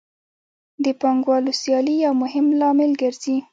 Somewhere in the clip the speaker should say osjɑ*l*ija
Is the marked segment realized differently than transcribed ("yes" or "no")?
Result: no